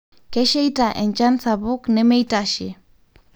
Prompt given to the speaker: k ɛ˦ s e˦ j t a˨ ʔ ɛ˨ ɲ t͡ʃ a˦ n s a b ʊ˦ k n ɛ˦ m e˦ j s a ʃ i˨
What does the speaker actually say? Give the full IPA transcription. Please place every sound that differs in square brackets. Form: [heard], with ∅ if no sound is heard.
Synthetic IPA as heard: k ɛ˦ [ʃ] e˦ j t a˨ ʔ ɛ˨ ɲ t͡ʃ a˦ n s a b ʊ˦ k n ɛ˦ m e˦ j [t] a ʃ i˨

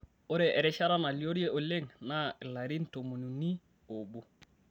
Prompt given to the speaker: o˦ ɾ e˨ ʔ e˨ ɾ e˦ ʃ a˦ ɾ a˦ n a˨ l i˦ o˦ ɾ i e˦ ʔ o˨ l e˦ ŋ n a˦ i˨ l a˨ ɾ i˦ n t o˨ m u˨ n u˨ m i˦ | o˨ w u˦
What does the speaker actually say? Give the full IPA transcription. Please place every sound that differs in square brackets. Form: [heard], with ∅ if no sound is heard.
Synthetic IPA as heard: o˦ ɾ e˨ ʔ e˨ ɾ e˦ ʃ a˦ ɾ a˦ n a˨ l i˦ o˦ ɾ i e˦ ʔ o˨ l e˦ ŋ n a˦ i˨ l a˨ ɾ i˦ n t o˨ m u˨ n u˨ [n] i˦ | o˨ [b] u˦

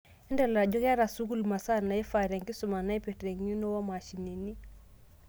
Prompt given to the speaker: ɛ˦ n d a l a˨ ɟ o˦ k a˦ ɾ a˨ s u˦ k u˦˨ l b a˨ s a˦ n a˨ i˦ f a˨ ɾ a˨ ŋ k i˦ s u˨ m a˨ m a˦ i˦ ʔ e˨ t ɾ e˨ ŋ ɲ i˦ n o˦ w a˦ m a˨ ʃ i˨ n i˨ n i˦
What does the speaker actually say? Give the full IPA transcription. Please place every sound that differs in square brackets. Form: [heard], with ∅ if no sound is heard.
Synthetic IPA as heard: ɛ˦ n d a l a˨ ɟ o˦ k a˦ ɾ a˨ s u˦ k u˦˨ l [m] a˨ s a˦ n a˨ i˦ f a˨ ɾ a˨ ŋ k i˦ s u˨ m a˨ [n] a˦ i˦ [p] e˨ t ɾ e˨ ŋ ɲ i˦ n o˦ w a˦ m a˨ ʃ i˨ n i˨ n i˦

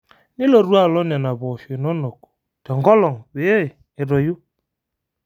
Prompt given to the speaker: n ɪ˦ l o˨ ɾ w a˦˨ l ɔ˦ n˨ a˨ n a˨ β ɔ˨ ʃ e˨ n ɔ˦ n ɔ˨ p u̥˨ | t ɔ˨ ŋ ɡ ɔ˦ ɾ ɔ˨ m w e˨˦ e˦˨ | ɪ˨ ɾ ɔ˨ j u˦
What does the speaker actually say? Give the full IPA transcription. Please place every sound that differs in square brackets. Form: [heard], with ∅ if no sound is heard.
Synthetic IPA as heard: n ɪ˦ l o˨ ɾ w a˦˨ l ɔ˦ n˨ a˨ n a˨ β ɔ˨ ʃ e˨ n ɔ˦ n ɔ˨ [k] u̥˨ | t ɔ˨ ŋ ɡ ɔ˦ [l] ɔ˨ [ŋ] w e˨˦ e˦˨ | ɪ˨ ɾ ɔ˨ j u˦

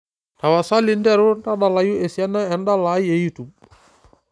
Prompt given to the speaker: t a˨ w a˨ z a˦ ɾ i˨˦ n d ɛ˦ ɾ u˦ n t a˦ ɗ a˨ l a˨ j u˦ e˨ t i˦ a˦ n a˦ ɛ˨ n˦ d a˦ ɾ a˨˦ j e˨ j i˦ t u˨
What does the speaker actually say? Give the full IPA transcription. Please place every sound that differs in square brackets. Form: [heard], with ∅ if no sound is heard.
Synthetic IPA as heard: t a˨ w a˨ [s] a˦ [l] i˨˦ n d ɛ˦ ɾ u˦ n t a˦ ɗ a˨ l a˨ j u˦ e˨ [s] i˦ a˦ n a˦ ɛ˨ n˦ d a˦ [l] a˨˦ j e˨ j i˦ t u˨

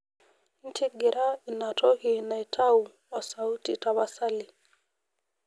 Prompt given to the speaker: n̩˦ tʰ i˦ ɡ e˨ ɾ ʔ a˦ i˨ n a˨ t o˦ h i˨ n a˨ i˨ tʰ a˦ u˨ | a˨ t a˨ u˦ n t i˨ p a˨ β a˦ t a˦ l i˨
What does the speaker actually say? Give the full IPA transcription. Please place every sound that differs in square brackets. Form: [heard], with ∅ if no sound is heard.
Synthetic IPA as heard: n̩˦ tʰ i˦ ɡ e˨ ɾ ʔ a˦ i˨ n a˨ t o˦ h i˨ n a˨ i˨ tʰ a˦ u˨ | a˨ [s] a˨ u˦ [∅] t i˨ [t] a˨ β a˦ [s] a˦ l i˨

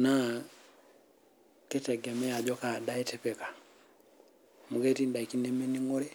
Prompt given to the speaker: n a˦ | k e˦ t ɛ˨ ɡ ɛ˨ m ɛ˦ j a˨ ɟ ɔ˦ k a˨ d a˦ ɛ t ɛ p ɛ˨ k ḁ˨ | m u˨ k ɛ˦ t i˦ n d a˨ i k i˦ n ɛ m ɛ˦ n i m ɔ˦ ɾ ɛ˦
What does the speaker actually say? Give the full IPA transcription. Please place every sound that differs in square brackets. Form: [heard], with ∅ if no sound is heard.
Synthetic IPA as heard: n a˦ | k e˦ t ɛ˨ ɡ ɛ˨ m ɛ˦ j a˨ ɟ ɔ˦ k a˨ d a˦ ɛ t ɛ p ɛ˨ k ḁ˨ | m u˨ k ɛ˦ t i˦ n d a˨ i k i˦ n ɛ m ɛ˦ n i [ŋ] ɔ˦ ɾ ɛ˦

